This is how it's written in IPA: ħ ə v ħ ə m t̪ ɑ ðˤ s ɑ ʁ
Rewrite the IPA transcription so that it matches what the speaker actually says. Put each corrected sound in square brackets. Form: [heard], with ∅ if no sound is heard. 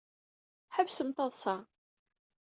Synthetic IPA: ħ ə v [s] ə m t̪ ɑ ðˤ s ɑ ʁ